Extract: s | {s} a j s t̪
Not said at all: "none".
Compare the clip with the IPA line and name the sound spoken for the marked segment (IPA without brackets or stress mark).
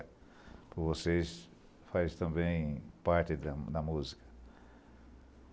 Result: f